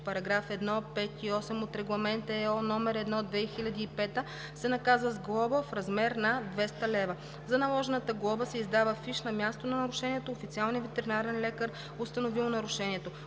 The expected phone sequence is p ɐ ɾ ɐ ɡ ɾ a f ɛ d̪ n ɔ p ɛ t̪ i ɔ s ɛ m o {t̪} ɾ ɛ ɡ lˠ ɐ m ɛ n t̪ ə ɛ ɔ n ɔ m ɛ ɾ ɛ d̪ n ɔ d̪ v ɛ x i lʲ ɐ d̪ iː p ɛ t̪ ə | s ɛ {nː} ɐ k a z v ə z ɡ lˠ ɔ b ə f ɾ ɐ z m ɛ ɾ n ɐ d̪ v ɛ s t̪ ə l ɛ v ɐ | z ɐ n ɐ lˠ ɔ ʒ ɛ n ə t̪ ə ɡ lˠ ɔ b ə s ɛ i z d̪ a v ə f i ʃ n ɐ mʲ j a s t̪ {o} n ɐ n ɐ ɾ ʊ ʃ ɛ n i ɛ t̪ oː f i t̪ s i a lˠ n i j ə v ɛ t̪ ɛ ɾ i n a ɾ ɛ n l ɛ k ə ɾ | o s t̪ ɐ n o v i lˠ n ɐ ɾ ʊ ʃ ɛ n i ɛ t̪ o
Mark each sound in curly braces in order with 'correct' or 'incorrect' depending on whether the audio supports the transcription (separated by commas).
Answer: correct, incorrect, correct